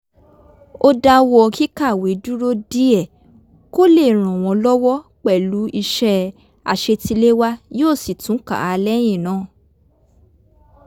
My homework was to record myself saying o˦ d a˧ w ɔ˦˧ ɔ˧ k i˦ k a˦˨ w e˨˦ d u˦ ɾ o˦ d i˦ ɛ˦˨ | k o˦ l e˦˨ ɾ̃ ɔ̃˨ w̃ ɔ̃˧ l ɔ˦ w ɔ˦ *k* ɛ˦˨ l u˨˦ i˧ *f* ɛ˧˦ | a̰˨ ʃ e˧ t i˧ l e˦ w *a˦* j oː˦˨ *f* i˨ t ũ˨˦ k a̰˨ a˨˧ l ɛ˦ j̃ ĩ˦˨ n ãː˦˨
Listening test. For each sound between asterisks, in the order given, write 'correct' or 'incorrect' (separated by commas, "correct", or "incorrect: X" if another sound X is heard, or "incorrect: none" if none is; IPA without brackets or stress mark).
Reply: incorrect: k͡p, incorrect: ʃ, correct, incorrect: s